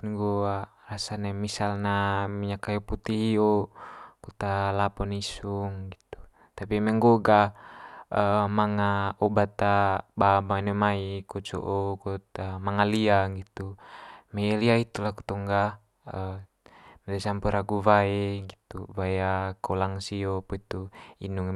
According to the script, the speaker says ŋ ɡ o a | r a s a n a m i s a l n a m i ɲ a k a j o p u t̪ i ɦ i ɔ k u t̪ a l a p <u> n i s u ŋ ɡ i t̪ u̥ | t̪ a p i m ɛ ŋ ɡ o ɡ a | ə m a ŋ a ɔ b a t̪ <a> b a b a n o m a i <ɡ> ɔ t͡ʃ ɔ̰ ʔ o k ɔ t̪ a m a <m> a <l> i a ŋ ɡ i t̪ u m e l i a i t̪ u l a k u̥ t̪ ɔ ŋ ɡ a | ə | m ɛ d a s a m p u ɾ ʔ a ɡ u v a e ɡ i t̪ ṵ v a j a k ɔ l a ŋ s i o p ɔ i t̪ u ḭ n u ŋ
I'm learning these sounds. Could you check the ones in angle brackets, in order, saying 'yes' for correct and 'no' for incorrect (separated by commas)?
no, yes, no, no, yes